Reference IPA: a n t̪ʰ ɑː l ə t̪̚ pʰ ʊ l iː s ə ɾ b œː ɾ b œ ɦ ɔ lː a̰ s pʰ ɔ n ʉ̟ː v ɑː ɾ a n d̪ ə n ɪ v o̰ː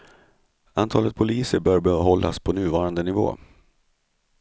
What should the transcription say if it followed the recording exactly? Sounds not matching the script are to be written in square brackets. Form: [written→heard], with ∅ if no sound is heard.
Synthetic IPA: a n t̪ʰ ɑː l ə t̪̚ pʰ ʊ l iː s ə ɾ b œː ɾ b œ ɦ ɔ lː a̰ s pʰ ɔ n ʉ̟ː v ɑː ɾ a n d̪ ə n ɪ v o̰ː

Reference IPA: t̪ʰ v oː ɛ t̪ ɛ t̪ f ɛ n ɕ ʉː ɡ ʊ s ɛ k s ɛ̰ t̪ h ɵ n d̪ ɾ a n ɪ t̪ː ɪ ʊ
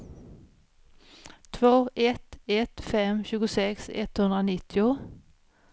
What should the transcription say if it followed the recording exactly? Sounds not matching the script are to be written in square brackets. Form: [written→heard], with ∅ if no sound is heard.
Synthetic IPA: t̪ʰ v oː ɛ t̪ ɛ t̪ f ɛ [n→m] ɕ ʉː ɡ ʊ s ɛ k s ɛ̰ t̪ h ɵ n d̪ ɾ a n ɪ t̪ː ɪ ʊ

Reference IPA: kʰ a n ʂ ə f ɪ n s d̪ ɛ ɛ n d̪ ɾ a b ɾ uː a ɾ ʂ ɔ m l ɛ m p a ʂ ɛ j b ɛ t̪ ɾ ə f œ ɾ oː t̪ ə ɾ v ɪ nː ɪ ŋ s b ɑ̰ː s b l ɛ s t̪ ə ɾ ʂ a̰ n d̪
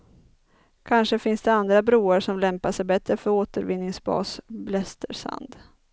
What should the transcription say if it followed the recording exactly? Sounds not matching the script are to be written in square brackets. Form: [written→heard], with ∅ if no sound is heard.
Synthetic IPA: kʰ a n ʂ ə f ɪ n s d̪ ɛ [ɛ→a] n d̪ ɾ a b ɾ uː a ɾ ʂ ɔ m l ɛ m p a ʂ ɛ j b ɛ t̪ ɾ ə f œ ɾ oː t̪ ə ɾ v ɪ nː ɪ ŋ s b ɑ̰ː s b l ɛ s t̪ ə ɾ ʂ a̰ n d̪

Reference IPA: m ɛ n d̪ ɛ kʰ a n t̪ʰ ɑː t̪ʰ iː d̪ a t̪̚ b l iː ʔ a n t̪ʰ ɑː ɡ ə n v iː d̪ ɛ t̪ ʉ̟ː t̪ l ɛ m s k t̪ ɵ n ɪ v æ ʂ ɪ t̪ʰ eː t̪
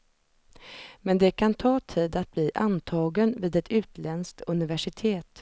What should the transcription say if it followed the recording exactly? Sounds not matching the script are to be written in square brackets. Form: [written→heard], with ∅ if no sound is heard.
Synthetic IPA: m ɛ n d̪ ɛ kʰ a n t̪ʰ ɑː t̪ʰ iː d̪ a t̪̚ b l iː ʔ a n t̪ʰ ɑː ɡ ə n v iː d̪ ɛ t̪ ʉ̟ː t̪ l ɛ [m→n] s k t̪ ɵ n ɪ v æ ʂ ɪ t̪ʰ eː t̪

